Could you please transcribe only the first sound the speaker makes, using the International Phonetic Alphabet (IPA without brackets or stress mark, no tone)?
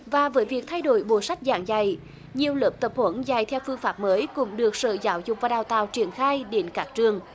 v